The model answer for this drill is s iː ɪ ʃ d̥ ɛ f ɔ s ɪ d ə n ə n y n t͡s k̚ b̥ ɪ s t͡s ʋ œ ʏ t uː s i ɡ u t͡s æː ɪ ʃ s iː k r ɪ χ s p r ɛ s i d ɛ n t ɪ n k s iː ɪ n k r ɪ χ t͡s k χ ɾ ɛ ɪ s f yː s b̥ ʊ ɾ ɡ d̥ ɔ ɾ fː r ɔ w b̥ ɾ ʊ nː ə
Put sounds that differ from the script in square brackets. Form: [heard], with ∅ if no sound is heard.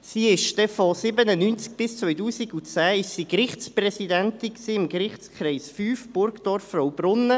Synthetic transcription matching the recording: s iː ɪ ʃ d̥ ɛ f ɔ s ɪ [b] ə n ə n y n t͡s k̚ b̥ ɪ s t͡s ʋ œ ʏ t uː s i ɡ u t͡s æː ɪ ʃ s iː k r ɪ χ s p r ɛ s i d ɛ n t ɪ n k s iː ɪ [m] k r ɪ χ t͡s k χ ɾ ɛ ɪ s f yː [f] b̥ ʊ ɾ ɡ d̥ ɔ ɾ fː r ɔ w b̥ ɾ ʊ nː ə